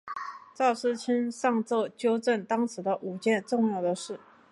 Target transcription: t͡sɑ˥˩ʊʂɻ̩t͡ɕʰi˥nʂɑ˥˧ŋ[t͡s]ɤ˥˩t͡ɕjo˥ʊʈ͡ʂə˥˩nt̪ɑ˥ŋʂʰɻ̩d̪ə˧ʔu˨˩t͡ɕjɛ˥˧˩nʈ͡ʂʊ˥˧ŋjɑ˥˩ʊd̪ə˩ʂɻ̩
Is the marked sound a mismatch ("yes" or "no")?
no